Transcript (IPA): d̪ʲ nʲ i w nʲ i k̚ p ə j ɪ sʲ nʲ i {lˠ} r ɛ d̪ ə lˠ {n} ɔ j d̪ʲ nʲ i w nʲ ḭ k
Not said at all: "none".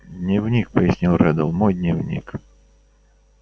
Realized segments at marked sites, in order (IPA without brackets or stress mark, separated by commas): lˠ, m